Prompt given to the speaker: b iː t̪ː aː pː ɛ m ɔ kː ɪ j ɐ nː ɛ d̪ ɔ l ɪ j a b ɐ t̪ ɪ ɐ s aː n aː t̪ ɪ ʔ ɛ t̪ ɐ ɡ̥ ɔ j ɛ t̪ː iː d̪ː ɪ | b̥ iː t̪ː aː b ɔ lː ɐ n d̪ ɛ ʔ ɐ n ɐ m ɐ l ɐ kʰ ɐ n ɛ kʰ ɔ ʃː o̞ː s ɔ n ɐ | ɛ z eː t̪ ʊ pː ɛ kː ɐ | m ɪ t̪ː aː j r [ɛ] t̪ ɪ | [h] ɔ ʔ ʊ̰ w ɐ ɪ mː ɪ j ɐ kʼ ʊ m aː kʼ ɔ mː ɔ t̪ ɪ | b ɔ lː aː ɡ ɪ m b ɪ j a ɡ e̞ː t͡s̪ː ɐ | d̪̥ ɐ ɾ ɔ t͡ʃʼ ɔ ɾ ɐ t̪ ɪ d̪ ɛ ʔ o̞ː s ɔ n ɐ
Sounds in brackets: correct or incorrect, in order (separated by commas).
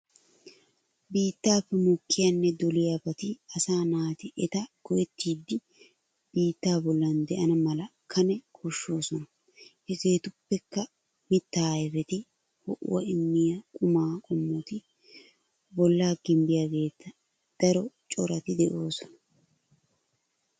correct, correct